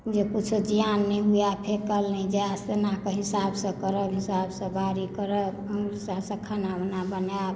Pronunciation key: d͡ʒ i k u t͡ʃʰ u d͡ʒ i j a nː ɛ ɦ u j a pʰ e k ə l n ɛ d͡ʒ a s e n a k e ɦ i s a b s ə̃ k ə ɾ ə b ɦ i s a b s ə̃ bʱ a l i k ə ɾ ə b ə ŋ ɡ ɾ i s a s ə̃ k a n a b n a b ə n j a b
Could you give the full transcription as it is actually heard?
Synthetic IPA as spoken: d͡ʒ e k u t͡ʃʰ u d͡ʒ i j a nː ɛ ɦ u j a pʰ e k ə l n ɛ d͡ʒ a s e n a k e ɦ i s a b s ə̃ k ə ɾ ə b ɦ i s a b s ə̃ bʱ a ɾ i k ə ɾ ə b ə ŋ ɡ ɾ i s a s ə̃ kʰ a n a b n a b ə n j a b